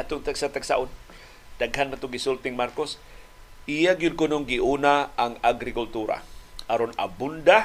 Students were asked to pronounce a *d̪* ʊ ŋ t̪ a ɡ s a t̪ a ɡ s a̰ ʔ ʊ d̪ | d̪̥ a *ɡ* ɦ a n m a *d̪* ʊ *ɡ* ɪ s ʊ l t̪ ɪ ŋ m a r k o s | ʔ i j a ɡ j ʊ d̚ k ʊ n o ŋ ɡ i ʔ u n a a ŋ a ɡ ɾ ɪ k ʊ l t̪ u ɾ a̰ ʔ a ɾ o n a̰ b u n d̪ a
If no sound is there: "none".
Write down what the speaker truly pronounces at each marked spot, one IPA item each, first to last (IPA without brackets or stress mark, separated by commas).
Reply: t̪, ɡ, t̪, ɡ